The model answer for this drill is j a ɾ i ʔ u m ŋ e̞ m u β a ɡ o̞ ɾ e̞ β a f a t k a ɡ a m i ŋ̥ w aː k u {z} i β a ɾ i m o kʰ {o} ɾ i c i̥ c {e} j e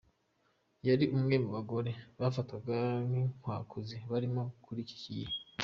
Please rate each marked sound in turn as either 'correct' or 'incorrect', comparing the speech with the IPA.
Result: correct, incorrect, incorrect

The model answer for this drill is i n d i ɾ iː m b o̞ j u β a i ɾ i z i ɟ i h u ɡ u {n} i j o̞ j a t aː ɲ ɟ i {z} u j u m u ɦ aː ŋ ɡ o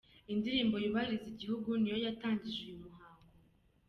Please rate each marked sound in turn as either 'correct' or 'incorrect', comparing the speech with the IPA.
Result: correct, incorrect

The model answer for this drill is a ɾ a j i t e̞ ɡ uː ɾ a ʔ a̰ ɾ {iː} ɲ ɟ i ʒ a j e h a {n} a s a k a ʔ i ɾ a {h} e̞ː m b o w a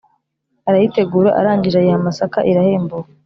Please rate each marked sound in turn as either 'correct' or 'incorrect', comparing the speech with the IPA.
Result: incorrect, incorrect, correct

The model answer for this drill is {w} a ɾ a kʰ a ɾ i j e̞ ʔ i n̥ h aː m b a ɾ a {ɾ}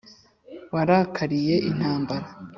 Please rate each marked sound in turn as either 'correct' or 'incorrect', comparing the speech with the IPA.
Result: correct, incorrect

